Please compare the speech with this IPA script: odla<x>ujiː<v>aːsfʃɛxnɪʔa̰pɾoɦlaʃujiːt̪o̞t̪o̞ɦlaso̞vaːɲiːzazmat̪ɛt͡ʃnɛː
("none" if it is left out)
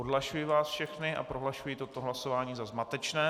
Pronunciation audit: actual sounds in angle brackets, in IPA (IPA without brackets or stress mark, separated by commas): ʃ, v